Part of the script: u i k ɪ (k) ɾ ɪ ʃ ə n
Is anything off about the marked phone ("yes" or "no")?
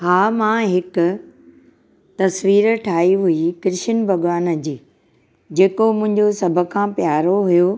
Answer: yes